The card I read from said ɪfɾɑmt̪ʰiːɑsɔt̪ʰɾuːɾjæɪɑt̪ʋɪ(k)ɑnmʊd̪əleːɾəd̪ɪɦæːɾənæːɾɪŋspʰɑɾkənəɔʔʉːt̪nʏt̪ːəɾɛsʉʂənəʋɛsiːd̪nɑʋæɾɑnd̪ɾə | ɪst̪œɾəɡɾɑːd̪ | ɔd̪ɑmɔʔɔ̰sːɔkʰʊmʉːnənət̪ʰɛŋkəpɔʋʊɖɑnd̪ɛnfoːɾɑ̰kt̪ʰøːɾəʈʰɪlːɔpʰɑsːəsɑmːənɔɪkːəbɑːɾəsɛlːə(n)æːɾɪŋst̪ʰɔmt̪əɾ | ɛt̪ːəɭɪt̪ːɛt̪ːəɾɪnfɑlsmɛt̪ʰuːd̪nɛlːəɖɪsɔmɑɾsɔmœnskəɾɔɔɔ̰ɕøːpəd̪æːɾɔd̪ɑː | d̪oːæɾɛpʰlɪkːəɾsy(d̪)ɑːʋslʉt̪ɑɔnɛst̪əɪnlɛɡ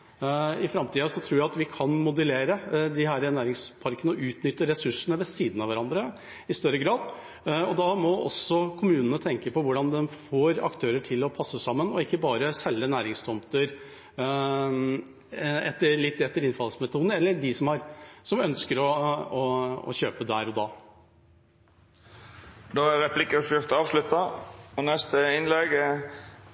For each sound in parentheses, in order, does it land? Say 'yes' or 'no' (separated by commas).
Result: no, yes, no